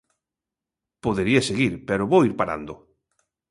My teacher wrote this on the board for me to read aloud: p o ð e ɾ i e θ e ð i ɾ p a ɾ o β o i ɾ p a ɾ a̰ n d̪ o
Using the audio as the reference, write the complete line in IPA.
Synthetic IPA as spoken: p o ð e ɾ i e s e ɣ i ɾ p e ɾ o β o i ɾ p a ɾ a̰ n d̪ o